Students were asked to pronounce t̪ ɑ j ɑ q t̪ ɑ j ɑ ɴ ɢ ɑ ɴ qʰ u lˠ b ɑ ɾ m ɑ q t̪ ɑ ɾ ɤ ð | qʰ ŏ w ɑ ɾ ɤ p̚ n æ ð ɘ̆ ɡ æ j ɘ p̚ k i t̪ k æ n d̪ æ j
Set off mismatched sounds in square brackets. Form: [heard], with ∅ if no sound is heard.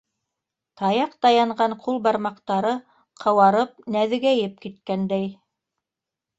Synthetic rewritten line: t̪ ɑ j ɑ q t̪ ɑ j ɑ ɴ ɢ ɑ ɴ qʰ u lˠ b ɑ ɾ m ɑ q t̪ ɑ ɾ ɤ [∅] | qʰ [ɤ̆] w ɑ ɾ ɤ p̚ n æ ð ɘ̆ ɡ æ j ɘ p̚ k i t̪ k æ n d̪ æ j